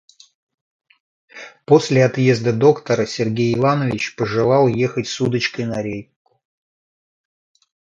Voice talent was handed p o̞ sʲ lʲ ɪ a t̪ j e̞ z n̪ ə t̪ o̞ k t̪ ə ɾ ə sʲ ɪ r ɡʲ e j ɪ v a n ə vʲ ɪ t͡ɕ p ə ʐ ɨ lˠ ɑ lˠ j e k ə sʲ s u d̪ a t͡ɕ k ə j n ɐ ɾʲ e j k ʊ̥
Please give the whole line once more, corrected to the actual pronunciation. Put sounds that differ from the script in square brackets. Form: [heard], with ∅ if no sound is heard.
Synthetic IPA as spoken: p o̞ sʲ lʲ ɪ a t̪ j e̞ z [d̪] ə [d̪] o̞ k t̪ ə ɾ ə sʲ ɪ r ɡʲ e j ɪ v a n ə vʲ ɪ t͡ɕ p ə ʐ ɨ lˠ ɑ lˠ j e [x] ə [tʲ] s u d̪ [ə] t͡ɕ k ə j n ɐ ɾʲ e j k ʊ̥